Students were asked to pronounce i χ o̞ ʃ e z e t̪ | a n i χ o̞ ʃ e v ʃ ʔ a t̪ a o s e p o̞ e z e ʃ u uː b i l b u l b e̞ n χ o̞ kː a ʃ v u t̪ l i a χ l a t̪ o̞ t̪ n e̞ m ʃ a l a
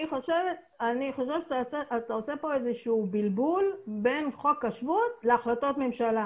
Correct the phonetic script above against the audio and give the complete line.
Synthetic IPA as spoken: i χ o̞ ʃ e v e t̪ | a n i χ o̞ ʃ e v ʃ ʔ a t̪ a o s e p o̞ e z e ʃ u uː b i l b u l b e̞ n χ o̞ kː a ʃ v u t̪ l e a χ l a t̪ o̞ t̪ m e̞ m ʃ a l a